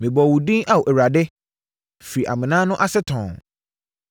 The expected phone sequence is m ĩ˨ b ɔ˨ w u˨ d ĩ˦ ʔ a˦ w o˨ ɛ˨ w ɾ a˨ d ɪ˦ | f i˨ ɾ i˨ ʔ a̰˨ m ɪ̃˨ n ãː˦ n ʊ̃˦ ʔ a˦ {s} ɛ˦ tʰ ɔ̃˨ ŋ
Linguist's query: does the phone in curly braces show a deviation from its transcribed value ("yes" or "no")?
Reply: no